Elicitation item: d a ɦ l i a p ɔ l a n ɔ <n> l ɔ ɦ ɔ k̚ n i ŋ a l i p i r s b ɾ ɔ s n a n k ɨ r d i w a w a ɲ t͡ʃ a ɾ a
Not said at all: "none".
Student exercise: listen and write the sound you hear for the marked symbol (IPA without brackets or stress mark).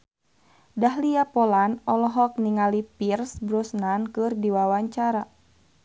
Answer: none